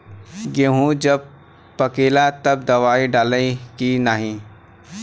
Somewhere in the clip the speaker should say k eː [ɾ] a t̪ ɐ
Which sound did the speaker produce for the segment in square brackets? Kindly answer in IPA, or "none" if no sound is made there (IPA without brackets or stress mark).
l